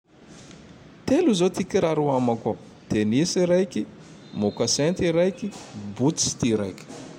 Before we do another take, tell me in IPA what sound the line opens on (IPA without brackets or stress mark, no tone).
t̪